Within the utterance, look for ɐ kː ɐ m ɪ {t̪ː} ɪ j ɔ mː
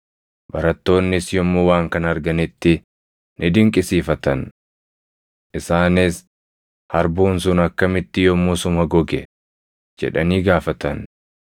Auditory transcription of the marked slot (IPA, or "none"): t̪ː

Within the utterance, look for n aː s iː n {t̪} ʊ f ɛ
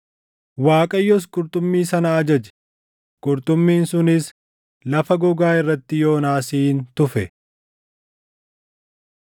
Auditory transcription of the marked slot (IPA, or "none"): t̪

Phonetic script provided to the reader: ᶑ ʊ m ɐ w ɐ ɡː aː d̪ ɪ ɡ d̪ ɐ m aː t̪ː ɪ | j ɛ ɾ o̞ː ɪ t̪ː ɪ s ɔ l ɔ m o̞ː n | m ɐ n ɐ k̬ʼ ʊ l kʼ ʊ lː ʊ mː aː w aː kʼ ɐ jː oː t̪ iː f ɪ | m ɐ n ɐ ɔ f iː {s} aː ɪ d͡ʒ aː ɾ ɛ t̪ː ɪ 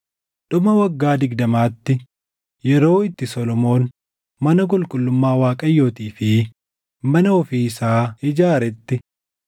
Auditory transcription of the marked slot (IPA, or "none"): s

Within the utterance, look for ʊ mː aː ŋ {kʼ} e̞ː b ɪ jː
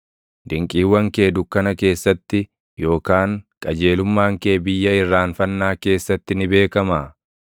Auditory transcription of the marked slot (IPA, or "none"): k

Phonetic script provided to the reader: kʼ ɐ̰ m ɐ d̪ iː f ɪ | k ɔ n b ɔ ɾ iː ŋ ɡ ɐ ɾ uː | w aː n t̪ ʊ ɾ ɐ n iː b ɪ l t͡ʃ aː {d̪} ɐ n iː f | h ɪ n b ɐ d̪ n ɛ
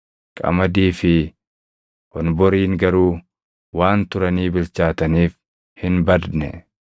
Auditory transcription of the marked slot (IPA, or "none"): t̪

